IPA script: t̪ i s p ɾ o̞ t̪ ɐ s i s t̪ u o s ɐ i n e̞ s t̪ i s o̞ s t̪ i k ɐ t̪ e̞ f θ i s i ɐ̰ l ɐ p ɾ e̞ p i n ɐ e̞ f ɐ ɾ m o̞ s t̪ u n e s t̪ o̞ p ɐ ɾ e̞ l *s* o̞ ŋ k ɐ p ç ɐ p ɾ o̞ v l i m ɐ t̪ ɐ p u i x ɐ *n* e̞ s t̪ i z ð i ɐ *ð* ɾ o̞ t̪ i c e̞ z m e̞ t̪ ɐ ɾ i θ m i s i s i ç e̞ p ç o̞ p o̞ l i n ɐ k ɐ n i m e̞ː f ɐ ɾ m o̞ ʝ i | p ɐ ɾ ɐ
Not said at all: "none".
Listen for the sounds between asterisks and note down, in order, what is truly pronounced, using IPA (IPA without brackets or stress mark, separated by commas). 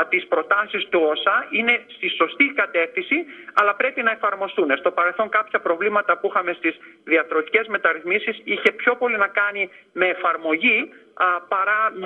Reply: θ, m, θ